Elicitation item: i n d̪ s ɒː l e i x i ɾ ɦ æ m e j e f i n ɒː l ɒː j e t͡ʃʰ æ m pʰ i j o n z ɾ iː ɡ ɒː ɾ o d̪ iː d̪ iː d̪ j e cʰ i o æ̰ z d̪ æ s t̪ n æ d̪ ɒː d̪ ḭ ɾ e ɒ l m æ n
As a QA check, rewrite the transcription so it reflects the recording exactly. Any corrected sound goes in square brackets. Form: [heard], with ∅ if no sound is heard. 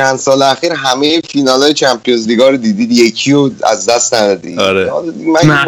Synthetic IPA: [æ] n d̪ s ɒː l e [æ] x i ɾ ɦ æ m e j e f i n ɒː l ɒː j e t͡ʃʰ æ m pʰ i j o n z [l] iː ɡ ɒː ɾ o d̪ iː d̪ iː d̪ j e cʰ i o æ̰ z d̪ æ s t̪ n æ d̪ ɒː d̪ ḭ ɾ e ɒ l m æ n